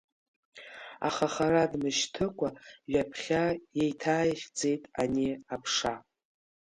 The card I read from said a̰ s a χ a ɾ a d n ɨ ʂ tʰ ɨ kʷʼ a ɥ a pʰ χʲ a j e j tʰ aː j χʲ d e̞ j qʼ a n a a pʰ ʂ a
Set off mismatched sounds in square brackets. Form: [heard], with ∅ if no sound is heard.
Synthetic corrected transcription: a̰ [χ] a χ a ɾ a d [m] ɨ [ʃ] tʰ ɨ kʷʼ a ɥ a pʰ χʲ a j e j tʰ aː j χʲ [d͡z] e̞ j [tʼ] a n [i] a pʰ ʂ a